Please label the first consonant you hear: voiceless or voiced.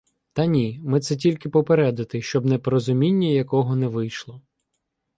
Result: voiceless